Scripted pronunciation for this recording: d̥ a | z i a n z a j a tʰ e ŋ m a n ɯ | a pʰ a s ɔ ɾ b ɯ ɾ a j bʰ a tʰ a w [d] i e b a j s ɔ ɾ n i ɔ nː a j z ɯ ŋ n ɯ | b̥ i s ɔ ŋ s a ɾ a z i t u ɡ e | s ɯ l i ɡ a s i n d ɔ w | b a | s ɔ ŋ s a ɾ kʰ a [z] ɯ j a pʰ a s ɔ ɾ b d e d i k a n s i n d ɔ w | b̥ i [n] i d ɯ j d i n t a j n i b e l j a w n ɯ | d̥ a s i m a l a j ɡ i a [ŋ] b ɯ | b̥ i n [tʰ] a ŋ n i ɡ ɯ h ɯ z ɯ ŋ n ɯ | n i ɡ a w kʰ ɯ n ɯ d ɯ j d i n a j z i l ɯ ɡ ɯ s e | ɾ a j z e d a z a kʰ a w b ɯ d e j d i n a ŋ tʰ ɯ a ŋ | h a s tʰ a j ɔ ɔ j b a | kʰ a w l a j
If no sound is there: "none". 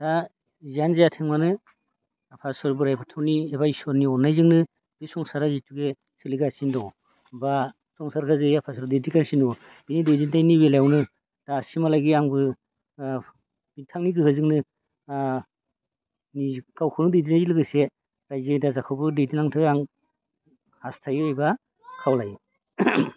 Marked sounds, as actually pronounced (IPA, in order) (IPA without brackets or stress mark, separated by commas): n, z, n, ŋ, tʰ